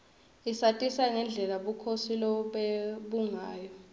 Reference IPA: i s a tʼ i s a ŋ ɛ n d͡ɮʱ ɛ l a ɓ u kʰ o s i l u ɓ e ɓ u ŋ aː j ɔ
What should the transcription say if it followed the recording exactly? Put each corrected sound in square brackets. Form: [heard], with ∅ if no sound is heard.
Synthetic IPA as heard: i s a tʼ i s a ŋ ɛ n d͡ɮʱ ɛ l a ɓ u kʰ o s i l [ɔ] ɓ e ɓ u ŋ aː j ɔ